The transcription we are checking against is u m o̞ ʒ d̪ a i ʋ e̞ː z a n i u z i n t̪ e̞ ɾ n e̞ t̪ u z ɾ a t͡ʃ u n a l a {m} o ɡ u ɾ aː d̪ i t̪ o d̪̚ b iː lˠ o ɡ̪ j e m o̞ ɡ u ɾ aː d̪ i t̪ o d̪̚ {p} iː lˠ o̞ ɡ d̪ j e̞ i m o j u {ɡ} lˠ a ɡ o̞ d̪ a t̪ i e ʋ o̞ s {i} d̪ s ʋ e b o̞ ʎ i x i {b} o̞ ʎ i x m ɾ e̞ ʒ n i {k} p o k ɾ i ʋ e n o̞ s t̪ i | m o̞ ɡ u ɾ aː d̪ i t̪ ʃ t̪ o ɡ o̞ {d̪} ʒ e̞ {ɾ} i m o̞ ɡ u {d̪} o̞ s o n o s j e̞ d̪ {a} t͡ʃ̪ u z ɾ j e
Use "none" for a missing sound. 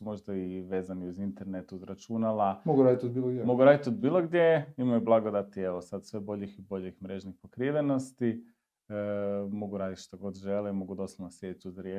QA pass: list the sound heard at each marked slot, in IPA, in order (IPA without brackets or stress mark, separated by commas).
m, b, b, a, b, x, d̪, l, d̪, i